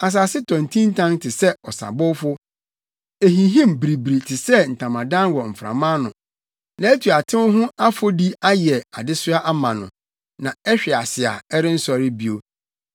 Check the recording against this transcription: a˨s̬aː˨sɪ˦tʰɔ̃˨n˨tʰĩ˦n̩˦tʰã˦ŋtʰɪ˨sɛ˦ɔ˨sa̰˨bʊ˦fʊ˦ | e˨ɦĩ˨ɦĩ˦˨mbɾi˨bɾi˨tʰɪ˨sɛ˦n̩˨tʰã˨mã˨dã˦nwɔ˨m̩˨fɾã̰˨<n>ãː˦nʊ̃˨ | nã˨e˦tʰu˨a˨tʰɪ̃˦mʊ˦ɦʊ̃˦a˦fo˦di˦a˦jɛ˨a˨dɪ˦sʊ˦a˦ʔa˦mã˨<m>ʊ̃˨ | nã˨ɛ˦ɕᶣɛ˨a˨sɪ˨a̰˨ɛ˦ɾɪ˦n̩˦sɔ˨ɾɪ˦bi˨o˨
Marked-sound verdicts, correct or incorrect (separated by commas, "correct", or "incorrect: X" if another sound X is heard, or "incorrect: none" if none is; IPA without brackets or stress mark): incorrect: m, incorrect: n